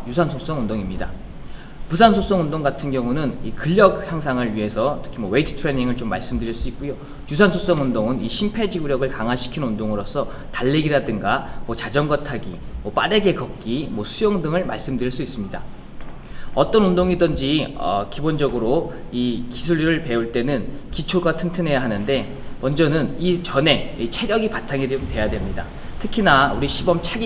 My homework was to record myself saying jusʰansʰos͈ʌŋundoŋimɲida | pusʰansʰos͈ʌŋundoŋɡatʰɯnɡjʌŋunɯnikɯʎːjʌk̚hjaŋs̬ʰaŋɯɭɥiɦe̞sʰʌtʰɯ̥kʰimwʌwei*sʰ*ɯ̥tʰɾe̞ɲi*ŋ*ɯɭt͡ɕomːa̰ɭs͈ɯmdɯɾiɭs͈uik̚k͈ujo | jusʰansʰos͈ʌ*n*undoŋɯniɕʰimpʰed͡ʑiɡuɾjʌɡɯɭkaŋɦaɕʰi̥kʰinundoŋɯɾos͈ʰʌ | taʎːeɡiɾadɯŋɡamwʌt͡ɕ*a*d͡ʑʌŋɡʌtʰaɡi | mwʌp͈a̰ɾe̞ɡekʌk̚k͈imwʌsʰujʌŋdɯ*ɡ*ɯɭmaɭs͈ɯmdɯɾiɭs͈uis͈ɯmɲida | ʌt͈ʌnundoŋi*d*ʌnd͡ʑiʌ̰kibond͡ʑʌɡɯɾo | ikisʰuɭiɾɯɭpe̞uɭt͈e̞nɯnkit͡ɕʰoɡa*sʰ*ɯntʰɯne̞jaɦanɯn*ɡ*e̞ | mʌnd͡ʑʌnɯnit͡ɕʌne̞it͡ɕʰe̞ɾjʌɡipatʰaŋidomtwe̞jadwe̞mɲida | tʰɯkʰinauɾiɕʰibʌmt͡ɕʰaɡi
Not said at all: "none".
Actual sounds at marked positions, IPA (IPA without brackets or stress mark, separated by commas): tʰ, ŋ, ŋ, a, ŋ, d, tʰ, d